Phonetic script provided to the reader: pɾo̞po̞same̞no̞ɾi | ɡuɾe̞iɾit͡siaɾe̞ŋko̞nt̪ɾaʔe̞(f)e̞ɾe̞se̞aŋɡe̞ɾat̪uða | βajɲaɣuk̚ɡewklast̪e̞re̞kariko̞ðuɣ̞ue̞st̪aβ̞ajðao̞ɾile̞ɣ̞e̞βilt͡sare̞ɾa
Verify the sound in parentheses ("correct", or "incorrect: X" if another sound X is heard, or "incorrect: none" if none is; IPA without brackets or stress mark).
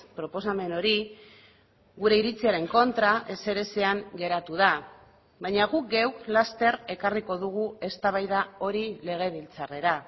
incorrect: s